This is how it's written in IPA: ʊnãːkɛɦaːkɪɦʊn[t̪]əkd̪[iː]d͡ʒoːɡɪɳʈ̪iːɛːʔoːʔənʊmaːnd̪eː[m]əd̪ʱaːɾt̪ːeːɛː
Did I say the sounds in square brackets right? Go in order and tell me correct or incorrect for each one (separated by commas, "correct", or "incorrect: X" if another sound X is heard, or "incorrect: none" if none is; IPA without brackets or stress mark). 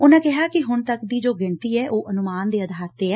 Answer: correct, correct, incorrect: none